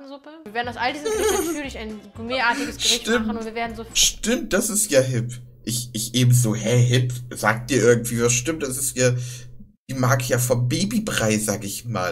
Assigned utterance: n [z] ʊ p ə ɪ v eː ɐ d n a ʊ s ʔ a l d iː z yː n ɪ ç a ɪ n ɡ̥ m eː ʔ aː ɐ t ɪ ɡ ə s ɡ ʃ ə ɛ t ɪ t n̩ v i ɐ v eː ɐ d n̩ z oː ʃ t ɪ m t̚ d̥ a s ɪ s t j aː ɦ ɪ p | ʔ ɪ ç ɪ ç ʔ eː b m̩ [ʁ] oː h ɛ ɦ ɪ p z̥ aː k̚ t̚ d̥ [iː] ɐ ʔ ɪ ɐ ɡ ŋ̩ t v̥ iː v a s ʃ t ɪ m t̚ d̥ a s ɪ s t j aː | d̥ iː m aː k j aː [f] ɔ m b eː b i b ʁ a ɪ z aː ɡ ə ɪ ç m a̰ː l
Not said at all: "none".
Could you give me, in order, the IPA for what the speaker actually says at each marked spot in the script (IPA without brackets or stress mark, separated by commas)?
z, z, iː, f